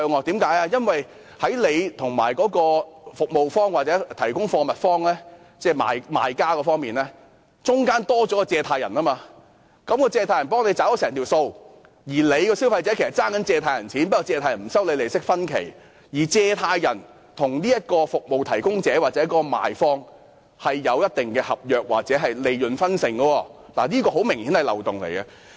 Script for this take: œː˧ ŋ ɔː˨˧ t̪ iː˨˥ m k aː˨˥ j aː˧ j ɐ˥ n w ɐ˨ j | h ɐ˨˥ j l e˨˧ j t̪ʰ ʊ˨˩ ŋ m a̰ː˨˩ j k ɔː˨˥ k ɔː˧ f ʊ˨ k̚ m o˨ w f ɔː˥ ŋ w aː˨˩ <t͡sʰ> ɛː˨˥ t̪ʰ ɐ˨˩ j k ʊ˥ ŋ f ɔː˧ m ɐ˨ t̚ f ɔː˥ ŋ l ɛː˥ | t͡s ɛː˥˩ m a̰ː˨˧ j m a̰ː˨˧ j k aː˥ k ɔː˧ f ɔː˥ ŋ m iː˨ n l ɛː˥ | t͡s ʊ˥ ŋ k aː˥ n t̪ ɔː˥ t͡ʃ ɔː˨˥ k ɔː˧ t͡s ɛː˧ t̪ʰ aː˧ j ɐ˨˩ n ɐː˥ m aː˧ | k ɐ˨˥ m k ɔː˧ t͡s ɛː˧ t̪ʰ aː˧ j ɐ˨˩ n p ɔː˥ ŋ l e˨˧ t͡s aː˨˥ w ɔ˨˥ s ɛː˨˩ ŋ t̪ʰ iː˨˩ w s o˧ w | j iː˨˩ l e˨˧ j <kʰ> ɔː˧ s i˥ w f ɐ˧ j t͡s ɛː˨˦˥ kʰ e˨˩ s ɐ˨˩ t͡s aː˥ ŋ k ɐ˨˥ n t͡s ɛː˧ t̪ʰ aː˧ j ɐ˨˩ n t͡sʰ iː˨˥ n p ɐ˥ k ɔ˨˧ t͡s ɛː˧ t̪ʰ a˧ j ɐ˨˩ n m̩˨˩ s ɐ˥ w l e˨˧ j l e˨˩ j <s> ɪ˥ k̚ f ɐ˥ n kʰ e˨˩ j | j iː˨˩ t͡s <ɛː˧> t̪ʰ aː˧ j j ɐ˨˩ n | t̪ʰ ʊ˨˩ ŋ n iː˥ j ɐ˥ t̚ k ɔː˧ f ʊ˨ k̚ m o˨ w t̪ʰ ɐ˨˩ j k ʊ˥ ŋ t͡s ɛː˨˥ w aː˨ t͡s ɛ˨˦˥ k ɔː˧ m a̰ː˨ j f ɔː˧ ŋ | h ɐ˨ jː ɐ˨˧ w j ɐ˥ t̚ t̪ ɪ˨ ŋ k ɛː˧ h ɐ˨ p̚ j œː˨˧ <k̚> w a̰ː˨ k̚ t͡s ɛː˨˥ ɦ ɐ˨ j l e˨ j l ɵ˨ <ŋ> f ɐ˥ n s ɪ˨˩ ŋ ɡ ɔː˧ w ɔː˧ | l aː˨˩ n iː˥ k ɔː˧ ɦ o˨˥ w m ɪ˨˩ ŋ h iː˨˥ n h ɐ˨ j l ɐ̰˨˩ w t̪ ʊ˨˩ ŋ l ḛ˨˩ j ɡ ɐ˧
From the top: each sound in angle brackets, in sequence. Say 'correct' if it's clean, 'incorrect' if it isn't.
incorrect: t͡s, incorrect: k, correct, correct, correct, incorrect: n

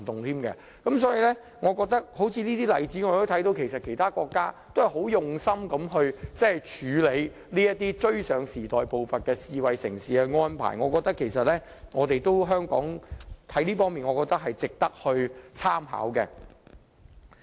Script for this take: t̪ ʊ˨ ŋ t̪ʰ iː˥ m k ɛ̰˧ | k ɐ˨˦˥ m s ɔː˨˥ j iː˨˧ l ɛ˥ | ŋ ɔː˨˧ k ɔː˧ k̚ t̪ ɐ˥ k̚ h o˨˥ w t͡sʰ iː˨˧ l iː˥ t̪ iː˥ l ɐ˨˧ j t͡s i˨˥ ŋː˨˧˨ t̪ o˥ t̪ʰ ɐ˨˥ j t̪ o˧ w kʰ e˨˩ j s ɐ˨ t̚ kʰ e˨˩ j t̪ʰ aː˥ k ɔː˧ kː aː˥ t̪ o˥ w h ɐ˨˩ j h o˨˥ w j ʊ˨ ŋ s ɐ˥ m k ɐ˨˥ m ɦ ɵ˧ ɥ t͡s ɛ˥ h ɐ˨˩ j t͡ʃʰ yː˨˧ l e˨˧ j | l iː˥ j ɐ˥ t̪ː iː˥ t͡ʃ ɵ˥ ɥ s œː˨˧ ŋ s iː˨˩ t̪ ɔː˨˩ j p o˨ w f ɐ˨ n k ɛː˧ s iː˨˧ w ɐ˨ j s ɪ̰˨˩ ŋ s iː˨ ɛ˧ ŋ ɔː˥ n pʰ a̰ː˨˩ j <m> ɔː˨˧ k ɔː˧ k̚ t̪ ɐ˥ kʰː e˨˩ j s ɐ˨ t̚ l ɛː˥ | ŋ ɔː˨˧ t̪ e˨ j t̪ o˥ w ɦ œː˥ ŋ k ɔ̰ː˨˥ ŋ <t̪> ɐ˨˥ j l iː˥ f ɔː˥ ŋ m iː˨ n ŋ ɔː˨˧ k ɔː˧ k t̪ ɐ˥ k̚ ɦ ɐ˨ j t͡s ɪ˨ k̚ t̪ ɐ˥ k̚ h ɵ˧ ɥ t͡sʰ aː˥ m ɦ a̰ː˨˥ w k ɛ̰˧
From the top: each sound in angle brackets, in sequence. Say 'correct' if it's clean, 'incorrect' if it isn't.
incorrect: ŋ, incorrect: t̪ʰ

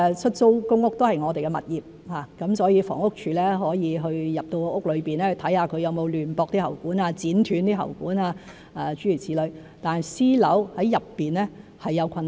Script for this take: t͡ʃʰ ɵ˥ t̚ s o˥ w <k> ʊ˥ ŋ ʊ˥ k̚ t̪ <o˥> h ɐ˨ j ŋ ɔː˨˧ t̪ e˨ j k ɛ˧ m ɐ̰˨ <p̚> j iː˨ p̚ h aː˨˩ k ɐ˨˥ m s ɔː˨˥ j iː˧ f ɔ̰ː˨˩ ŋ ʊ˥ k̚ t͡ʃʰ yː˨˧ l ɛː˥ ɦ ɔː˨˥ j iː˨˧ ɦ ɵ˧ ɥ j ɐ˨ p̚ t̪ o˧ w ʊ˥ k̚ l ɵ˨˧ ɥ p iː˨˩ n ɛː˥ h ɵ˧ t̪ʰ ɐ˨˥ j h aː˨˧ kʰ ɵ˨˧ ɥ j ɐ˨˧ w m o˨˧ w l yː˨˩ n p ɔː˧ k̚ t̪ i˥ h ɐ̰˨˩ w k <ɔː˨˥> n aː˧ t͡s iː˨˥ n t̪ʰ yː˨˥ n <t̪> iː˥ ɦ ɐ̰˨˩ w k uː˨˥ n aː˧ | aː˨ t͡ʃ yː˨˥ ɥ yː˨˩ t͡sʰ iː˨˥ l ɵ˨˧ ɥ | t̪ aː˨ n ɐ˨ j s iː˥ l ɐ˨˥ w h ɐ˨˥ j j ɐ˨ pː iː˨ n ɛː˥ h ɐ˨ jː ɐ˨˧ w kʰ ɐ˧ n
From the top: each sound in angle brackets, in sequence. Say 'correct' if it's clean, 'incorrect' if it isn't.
correct, correct, incorrect: t̚, incorrect: uː˨˥, correct

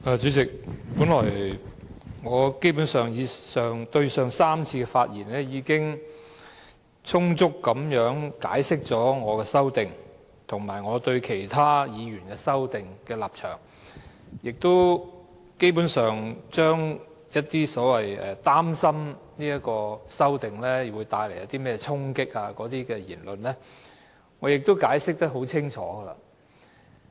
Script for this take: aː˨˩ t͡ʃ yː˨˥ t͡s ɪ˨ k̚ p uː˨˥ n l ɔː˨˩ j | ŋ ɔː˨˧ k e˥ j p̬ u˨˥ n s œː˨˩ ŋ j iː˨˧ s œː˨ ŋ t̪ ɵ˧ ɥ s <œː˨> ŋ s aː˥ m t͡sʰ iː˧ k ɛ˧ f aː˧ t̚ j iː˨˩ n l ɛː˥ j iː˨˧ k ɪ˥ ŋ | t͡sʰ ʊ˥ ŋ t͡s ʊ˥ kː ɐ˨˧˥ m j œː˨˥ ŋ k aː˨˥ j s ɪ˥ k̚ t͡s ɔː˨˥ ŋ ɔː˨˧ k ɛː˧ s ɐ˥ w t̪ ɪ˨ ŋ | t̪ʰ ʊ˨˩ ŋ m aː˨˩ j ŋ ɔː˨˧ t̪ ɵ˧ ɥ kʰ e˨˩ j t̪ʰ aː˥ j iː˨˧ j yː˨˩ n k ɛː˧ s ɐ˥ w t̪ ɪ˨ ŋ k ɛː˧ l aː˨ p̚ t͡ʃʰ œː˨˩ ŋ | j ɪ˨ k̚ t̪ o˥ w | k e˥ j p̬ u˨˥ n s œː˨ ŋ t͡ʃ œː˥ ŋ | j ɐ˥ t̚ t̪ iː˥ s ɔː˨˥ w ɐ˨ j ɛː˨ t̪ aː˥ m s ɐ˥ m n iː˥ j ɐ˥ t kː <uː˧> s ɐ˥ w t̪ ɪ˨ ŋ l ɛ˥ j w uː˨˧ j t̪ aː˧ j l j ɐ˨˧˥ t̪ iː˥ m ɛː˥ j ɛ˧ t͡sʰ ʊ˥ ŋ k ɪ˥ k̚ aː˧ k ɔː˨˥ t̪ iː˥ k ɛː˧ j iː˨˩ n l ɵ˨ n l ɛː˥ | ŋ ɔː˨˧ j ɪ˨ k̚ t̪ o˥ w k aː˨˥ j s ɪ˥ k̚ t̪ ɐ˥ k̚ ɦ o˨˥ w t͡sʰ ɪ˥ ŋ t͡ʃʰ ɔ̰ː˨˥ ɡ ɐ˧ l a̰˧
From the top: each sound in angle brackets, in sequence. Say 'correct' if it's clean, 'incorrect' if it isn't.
correct, incorrect: ɔː˧

